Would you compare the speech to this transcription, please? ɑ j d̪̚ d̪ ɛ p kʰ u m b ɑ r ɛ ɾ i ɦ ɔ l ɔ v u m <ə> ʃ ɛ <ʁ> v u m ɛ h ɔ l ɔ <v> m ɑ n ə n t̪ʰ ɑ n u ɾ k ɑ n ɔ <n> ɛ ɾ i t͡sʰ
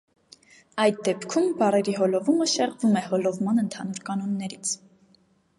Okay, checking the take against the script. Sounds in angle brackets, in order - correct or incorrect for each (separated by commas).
correct, correct, correct, incorrect